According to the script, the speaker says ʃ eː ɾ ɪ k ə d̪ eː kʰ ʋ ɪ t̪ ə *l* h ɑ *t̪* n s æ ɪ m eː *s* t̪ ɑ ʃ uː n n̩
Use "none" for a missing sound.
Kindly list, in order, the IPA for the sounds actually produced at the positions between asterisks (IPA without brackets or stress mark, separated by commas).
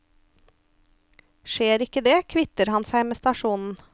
ɾ, none, s